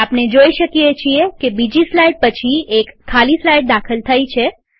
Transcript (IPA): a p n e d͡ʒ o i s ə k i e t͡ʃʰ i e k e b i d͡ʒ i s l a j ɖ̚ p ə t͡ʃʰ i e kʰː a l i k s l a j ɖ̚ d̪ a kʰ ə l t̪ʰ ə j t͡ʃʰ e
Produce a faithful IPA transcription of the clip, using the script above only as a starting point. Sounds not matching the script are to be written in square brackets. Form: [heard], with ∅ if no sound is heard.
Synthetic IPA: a p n e d͡ʒ o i [ʃ] ə k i e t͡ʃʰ i e k e b i d͡ʒ i s l a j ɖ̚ p ə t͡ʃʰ i e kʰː a l i [∅] s l a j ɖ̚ d̪ a kʰ ə l t̪ʰ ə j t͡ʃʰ e